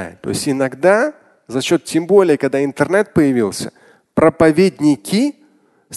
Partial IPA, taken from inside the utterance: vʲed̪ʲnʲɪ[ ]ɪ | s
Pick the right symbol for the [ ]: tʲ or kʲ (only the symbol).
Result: kʲ